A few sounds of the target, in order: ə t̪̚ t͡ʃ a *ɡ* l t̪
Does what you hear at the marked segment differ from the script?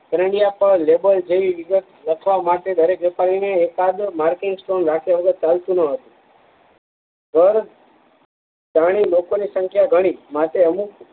yes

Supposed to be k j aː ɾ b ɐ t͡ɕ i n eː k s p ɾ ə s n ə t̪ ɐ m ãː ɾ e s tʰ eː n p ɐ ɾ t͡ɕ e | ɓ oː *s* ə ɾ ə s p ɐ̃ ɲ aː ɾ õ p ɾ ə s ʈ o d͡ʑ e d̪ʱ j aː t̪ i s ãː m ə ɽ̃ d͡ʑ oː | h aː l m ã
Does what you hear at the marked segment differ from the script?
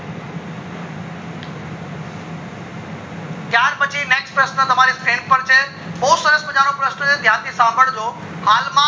no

